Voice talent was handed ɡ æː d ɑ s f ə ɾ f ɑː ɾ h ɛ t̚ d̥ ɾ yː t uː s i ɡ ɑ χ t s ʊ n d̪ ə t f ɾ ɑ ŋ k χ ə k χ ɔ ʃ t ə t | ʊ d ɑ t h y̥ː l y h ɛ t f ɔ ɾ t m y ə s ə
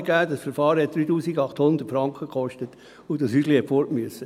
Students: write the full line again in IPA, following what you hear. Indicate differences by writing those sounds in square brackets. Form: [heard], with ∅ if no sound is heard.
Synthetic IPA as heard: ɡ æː d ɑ s f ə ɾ f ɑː ɾ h ɛ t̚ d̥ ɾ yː t uː s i ɡ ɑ χ t [h] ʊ n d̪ ə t f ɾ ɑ ŋ k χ ə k χ ɔ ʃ t ə t | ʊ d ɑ [s] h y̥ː l [i] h ɛ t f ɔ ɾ t m y ə s ə